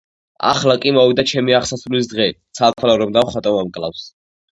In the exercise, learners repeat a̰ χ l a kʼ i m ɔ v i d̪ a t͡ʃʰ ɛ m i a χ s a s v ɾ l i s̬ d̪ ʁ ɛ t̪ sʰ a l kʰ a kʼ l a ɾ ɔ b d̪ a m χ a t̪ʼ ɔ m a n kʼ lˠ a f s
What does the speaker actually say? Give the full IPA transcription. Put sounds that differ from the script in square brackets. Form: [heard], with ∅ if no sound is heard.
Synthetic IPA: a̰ χ l a kʼ i m ɔ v i d̪ a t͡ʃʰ ɛ m i a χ s a s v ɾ l i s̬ d̪ ʁ ɛ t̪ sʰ a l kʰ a [∅] l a ɾ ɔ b d̪ a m χ a t̪ʼ ɔ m a [m] kʼ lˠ a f s